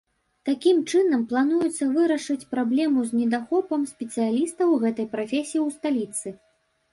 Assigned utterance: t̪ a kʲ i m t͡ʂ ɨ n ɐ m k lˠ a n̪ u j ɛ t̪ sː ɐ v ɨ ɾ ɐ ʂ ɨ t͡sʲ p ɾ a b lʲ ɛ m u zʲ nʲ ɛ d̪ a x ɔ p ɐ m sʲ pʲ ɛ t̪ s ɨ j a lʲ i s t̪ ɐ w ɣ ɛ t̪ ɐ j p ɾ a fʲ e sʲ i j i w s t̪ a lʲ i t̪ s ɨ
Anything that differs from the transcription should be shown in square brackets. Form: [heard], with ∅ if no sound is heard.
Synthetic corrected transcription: t̪ a kʲ i m t͡ʂ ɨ n ɐ m [p] lˠ a n̪ u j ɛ t̪ sː ɐ v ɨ ɾ ɐ ʂ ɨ t͡sʲ p ɾ a b lʲ ɛ m u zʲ nʲ ɛ d̪ a x ɔ p ɐ m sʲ pʲ ɛ t̪ s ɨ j a lʲ i s t̪ ɐ w ɣ ɛ t̪ ɐ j p ɾ a fʲ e sʲ i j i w s t̪ a lʲ i t̪ s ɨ

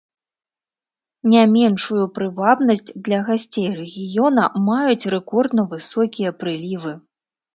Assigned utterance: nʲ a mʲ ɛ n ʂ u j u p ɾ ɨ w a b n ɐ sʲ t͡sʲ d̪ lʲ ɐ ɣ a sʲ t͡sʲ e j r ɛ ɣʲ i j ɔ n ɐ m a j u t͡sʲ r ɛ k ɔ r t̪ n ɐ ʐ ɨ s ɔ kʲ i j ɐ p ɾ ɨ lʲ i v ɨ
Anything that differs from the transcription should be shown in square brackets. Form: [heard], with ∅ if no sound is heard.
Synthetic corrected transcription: nʲ a mʲ ɛ n ʂ u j u p ɾ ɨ [v] a b n ɐ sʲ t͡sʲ d̪ lʲ ɐ ɣ a sʲ t͡sʲ e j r ɛ ɣʲ i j ɔ n ɐ m a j u t͡sʲ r ɛ k ɔ r [d̪] n ɐ [v] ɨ s ɔ kʲ i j ɐ p ɾ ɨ lʲ i v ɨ

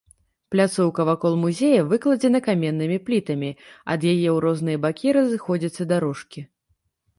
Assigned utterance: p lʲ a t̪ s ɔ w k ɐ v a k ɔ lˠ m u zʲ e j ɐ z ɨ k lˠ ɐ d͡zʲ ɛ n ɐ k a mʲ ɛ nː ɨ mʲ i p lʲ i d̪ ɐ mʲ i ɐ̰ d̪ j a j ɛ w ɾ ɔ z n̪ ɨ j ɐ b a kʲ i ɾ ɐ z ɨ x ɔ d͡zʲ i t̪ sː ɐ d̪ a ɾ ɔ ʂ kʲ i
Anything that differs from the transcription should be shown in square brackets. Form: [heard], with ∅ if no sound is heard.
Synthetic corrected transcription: p lʲ a t̪ s ɔ w k ɐ v a k ɔ lˠ m u zʲ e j ɐ [v] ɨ k lˠ ɐ d͡zʲ ɛ n ɐ k a mʲ ɛ nː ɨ mʲ i p lʲ i [t̪] ɐ mʲ i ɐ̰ d̪ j a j ɛ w ɾ ɔ z n̪ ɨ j ɐ b a kʲ i ɾ ɐ z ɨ x ɔ d͡zʲ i t̪ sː ɐ d̪ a ɾ ɔ ʂ kʲ i

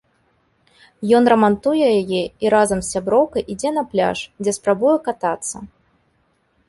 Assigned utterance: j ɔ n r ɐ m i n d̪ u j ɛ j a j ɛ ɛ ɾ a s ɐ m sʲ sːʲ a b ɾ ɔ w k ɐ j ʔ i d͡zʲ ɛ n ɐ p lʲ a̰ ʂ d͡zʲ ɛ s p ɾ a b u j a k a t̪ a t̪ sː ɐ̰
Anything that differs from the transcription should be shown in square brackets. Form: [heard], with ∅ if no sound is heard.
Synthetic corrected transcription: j ɔ n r ɐ m [a] n [t̪] u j ɛ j a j ɛ [i] ɾ a [z] ɐ m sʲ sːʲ a b ɾ ɔ w k ɐ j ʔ i d͡zʲ ɛ n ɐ p lʲ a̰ ʂ d͡zʲ ɛ s p ɾ a b u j [ɛ] k a t̪ a t̪ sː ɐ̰

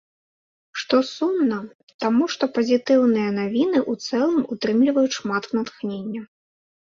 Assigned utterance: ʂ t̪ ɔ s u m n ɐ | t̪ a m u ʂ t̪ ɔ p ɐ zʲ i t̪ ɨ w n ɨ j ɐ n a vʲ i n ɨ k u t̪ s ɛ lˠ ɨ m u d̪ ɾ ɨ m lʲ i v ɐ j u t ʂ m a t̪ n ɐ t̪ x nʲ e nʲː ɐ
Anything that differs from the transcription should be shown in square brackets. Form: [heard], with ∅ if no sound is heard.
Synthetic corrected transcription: ʂ t̪ ɔ s u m n ɐ | t̪ a m u ʂ t̪ ɔ p ɐ zʲ i t̪ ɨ w n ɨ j ɐ n a vʲ i n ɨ [ʔ] u t̪ s ɛ lˠ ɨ m u [t̪] ɾ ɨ m lʲ i v ɐ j u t ʂ m a t̪ n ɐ t̪ x nʲ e nʲː ɐ

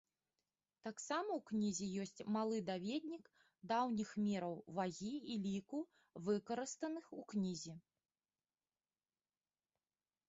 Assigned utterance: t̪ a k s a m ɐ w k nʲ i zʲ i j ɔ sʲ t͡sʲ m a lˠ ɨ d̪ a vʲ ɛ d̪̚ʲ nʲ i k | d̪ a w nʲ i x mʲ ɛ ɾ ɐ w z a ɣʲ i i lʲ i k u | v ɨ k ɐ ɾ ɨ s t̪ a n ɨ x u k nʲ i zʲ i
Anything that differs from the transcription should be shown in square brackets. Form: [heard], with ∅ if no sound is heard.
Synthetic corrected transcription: t̪ a k s a m ɐ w k nʲ i zʲ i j ɔ sʲ t͡sʲ m a lˠ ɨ d̪ a vʲ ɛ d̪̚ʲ nʲ i k | d̪ a w nʲ i x mʲ ɛ ɾ ɐ w [v] a ɣʲ i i lʲ i k u | v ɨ k ɐ ɾ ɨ s t̪ [ɐ] n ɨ x u k nʲ i zʲ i

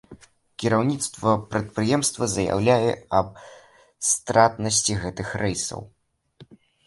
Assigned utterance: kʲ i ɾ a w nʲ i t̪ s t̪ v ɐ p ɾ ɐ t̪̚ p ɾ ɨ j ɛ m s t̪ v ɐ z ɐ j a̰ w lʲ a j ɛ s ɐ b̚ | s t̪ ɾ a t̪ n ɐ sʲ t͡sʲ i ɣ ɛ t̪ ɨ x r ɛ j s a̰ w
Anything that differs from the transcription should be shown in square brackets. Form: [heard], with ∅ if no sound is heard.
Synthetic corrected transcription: kʲ i ɾ a w nʲ i t̪ s t̪ v ɐ p ɾ ɐ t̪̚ p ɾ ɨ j ɛ m s t̪ v ɐ z ɐ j a̰ w lʲ a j ɛ [∅] ɐ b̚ | s t̪ ɾ a t̪ n ɐ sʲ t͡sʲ i ɣ ɛ t̪ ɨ x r ɛ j s [ɐ̰] w

